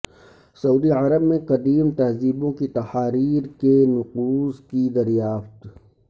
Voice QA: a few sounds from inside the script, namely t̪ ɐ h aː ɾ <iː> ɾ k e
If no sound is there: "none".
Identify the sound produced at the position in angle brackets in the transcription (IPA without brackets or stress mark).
iː